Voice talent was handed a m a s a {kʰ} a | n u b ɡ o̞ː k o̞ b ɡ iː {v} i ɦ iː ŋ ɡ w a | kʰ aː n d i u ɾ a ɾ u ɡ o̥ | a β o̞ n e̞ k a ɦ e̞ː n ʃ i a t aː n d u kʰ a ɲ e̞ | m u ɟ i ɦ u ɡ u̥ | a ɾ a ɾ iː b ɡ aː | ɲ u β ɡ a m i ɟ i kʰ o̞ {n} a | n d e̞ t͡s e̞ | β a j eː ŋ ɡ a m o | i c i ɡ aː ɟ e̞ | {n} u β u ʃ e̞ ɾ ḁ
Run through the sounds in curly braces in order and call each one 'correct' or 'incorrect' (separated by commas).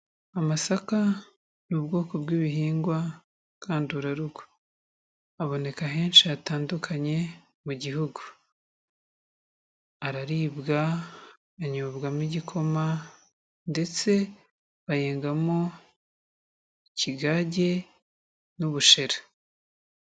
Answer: incorrect, incorrect, incorrect, correct